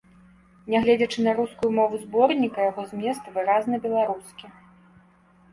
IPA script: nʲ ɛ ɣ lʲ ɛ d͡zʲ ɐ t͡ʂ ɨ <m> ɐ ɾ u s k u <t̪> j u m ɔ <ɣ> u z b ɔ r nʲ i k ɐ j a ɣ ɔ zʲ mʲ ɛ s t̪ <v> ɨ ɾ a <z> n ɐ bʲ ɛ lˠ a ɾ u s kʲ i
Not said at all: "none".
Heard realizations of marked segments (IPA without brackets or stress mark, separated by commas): n, none, v, v, z